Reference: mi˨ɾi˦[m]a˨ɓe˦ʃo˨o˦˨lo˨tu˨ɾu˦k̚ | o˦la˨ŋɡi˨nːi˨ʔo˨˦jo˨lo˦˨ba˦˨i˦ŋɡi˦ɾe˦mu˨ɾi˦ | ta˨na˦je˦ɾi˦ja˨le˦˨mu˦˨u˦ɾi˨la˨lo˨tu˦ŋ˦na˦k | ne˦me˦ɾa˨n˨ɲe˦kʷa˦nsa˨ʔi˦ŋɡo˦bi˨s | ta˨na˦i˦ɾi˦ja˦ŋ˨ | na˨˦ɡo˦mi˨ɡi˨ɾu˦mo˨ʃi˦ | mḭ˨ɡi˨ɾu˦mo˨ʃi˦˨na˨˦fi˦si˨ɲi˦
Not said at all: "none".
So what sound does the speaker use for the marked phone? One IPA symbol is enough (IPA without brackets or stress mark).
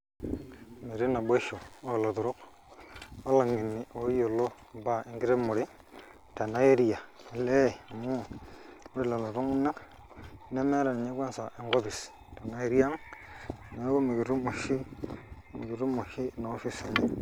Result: n